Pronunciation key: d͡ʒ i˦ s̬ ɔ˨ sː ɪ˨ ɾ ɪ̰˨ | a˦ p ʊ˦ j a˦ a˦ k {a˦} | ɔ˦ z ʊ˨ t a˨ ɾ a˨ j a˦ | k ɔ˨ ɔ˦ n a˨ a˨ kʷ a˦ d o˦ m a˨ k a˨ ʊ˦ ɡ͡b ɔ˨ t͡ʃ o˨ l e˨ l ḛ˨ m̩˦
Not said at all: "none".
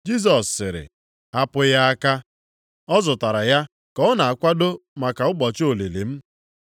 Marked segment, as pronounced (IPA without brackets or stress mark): a˦